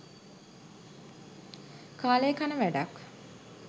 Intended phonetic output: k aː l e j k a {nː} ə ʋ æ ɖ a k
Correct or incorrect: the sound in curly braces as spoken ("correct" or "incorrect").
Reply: incorrect